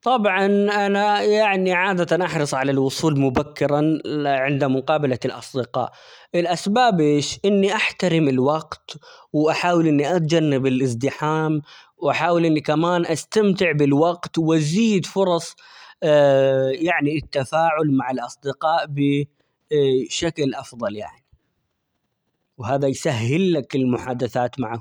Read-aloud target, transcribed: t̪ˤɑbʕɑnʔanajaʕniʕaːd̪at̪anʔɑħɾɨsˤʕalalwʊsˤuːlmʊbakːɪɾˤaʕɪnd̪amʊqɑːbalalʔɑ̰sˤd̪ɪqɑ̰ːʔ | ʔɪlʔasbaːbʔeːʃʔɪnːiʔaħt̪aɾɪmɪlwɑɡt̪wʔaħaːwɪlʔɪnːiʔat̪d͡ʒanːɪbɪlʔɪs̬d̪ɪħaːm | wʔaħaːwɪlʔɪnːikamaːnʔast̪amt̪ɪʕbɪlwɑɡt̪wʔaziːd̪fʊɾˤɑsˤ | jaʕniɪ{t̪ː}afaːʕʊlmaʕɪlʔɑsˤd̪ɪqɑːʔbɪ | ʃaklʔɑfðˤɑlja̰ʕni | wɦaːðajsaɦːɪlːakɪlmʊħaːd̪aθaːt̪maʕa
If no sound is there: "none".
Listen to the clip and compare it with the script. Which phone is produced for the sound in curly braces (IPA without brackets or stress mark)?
t̪ː